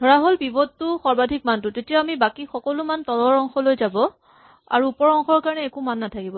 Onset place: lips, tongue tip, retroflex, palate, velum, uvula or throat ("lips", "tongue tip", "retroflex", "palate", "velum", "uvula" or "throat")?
tongue tip